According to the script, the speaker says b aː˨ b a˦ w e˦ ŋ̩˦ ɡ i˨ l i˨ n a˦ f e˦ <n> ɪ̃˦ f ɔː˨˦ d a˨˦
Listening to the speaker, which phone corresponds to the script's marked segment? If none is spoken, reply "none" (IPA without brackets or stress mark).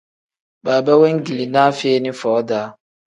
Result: n